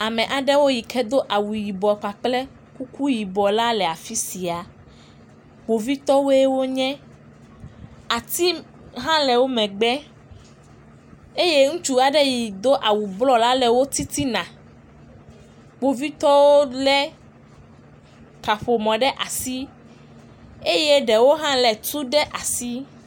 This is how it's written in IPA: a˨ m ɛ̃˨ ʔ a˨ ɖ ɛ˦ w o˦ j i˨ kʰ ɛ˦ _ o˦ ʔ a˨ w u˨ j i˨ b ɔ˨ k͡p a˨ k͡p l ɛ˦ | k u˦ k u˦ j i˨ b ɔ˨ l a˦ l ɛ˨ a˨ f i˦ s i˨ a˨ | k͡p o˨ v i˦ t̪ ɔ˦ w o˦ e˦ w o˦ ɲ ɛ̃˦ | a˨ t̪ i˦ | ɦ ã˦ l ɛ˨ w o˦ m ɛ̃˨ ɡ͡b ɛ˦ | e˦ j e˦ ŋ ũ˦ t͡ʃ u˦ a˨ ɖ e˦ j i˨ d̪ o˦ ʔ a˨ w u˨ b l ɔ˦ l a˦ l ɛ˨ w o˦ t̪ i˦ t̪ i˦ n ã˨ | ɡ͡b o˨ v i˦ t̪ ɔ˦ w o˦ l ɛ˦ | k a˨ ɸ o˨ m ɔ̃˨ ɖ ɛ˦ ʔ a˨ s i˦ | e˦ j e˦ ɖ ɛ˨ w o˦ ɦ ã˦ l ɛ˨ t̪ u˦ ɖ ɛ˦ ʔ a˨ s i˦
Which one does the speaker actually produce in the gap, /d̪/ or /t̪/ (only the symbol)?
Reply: d̪